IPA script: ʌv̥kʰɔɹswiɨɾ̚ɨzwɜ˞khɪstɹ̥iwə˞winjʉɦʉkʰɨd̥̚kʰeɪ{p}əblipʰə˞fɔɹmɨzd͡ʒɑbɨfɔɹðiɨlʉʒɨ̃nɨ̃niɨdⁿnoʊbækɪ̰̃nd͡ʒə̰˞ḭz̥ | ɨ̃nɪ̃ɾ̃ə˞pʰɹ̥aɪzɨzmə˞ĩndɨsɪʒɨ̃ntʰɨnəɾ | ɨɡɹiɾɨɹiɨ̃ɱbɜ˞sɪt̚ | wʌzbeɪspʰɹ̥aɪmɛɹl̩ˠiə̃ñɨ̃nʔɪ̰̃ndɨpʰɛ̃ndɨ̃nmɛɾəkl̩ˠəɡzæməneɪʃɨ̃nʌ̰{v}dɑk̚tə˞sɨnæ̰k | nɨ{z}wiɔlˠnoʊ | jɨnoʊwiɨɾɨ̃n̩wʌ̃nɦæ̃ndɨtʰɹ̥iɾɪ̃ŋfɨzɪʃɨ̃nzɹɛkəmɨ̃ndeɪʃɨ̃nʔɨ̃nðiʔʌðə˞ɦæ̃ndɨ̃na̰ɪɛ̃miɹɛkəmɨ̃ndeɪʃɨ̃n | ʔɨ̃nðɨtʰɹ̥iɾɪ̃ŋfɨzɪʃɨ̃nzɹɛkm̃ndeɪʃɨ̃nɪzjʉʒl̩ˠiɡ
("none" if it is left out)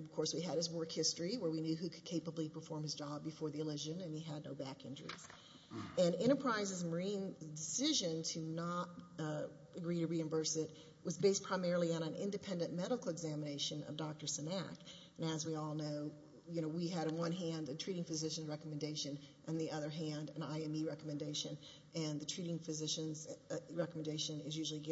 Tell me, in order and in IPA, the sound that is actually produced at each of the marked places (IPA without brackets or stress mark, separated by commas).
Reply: p, v, z